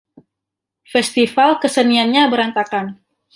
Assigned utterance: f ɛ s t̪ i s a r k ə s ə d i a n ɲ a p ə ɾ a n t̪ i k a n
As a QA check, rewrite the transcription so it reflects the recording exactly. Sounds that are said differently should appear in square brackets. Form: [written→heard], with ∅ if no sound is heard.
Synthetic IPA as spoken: f ɛ s t̪ i [s→f] a [r→l] k ə s ə [d→n] i a n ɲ a [p→b] ə ɾ a n t̪ [i→a] k a n